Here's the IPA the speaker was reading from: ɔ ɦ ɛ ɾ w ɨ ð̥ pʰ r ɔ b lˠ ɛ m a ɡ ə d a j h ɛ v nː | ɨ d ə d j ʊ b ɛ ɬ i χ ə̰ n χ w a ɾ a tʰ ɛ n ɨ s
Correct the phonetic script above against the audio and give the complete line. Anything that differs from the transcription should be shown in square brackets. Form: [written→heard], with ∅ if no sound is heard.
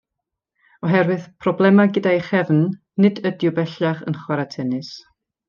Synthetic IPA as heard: ɔ ɦ ɛ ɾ w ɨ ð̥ pʰ r ɔ b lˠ ɛ m a ɡ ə d a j [h→χ] ɛ v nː | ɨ d ə d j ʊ b ɛ ɬ [i→a] χ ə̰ n χ w a ɾ a tʰ ɛ n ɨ s

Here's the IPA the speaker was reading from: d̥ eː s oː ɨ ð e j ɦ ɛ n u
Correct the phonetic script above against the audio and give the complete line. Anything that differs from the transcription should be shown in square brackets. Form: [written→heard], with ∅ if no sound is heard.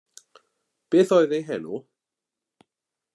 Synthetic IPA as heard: [d̥→b̥] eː [s→θ] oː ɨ ð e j ɦ ɛ n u

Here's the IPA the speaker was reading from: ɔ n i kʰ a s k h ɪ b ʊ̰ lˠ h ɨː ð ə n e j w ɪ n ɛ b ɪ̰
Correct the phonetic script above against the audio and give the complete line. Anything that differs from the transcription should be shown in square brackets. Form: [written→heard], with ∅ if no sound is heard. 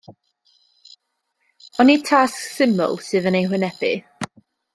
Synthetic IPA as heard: ɔ n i [kʰ→tʰ] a s k [h→s] ɪ [b→m] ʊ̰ lˠ [h→s] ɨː ð ə n e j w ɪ n ɛ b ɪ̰

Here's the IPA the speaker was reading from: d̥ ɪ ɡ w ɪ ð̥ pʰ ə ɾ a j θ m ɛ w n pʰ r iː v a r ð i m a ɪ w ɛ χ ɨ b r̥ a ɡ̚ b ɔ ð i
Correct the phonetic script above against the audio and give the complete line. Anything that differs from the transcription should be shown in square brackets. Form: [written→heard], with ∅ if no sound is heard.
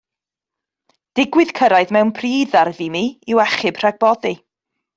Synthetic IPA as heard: d̥ ɪ ɡ w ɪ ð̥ [pʰ→kʰ] ə ɾ a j [θ→ð] m ɛ w n pʰ r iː [v→ð] a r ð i m [a→i] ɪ w ɛ χ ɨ b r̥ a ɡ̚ b ɔ ð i

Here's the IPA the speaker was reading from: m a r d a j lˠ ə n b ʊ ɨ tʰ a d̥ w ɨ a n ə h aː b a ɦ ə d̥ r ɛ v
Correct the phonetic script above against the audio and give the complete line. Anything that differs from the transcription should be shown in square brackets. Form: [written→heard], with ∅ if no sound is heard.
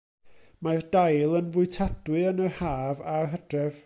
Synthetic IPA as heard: m a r d a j lˠ ə n [b→v] ʊ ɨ tʰ a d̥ w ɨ [a→ə] n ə h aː [b→v] a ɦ ə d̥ r ɛ v

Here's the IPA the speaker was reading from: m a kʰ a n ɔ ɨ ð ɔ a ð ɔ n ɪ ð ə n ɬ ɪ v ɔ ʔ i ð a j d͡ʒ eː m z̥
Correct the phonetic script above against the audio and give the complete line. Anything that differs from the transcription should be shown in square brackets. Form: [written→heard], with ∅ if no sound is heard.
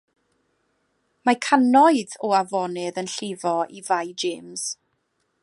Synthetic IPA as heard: m a kʰ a n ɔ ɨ ð ɔ a [ð→v] ɔ n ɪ ð ə n ɬ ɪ v ɔ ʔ i [ð→v] a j d͡ʒ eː m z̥

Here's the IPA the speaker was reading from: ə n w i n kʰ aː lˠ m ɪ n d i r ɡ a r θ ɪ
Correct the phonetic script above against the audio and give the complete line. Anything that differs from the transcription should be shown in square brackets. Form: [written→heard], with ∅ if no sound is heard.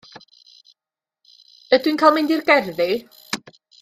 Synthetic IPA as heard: ə [n→d] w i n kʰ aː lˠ m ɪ n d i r ɡ [a→ɛ] r [θ→ð] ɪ

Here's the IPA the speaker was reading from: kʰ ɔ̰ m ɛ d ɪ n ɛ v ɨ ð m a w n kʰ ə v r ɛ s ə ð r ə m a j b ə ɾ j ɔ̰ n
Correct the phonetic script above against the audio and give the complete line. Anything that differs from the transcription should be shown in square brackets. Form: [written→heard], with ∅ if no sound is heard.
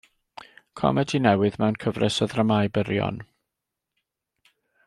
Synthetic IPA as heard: kʰ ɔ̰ m ɛ d [ɪ→i] n ɛ [v→w] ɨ ð m [a→ɛ] w n kʰ ə v r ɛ s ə ð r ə m a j b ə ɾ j ɔ̰ n

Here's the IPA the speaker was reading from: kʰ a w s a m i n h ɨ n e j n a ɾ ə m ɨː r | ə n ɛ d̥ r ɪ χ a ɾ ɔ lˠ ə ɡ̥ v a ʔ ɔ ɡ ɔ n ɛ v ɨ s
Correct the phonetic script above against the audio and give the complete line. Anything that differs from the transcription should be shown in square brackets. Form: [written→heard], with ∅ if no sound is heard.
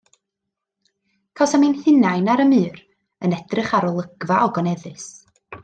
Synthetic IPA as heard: kʰ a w s a m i n h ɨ n [e→a] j n a ɾ ə m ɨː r | ə n ɛ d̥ r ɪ χ a ɾ ɔ lˠ ə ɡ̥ v a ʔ ɔ ɡ ɔ n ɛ [v→ð] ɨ s

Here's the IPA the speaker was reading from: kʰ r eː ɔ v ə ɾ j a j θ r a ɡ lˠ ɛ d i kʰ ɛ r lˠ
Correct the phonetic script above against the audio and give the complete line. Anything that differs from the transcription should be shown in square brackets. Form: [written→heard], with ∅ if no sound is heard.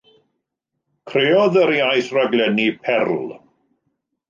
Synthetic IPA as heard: kʰ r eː ɔ [v→ð] ə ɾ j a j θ r a ɡ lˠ ɛ [d→n] i [kʰ→pʰ] ɛ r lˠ

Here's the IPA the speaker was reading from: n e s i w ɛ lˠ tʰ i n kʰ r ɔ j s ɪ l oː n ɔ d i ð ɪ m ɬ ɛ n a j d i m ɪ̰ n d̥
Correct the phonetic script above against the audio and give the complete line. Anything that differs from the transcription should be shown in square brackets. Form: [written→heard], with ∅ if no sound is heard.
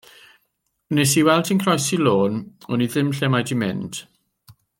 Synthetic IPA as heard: n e s i w ɛ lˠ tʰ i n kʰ r ɔ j s [ɪ→i] l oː n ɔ [d→n] i ð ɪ m ɬ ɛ [n→m] a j d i m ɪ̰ n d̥

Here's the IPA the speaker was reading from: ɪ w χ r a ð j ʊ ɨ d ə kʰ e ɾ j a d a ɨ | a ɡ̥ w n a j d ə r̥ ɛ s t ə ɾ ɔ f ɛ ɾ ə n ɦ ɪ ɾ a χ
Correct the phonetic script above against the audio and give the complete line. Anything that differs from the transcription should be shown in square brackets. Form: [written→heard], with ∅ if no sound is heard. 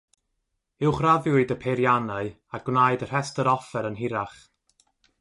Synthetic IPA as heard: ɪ w χ r a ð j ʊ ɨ d ə [kʰ→pʰ] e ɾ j a [d→n] a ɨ | a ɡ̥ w n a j d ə r̥ ɛ s t ə ɾ ɔ f ɛ ɾ ə n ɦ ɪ ɾ a χ

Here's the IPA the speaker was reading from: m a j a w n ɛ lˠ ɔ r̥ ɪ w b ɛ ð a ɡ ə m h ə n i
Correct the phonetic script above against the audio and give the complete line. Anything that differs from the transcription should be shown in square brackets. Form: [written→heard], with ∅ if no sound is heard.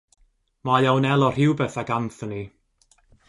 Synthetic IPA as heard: m a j a w n ɛ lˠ ɔ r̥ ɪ w b ɛ [ð→θ] a ɡ [ə→a] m [h→θ] ə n i

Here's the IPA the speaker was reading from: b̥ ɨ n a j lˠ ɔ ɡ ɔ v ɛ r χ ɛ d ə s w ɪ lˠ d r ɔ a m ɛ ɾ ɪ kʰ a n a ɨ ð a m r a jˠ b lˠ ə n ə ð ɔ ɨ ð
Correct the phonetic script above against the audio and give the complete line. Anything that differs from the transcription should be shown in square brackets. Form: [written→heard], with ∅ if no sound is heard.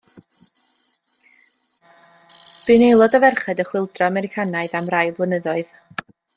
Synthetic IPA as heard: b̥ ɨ n [a→e] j lˠ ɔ [ɡ→d] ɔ v ɛ r χ ɛ d ə [s→χ] w ɪ lˠ d r ɔ a m ɛ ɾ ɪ kʰ a n a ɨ ð a m r a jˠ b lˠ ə n ə ð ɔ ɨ ð

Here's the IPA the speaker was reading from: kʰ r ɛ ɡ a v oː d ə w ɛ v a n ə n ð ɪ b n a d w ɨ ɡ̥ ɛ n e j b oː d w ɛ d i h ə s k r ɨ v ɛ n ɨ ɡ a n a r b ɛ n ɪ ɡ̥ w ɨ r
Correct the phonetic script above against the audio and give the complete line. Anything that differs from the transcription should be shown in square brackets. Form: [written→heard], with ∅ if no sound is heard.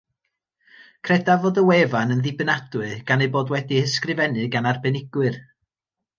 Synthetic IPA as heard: kʰ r ɛ [ɡ→d] a v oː d ə w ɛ v a n ə n ð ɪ b n a d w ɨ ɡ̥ [ɛ→a] n e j b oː d w ɛ d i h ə s k r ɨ v ɛ n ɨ ɡ a n a r b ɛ n ɪ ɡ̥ w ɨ r

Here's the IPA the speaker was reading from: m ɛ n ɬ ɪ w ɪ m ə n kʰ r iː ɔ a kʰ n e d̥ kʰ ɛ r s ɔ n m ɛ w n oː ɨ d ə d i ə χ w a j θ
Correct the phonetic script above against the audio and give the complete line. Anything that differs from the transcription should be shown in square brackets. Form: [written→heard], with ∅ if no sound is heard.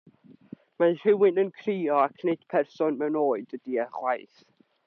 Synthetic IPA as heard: m [ɛ→a] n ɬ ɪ w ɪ [m→n] ə n kʰ r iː ɔ a kʰ n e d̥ [kʰ→pʰ] ɛ r s ɔ n m ɛ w n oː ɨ d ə d i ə χ w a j θ

